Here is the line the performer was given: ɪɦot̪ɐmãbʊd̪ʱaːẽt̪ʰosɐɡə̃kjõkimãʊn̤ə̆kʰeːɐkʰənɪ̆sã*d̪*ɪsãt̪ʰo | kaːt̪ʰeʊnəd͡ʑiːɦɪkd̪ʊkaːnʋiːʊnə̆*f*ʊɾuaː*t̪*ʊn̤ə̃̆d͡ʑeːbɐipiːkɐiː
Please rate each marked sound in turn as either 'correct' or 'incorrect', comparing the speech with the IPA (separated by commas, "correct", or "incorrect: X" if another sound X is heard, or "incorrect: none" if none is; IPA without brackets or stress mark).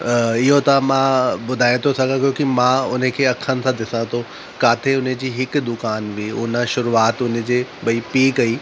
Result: correct, incorrect: ʃ, correct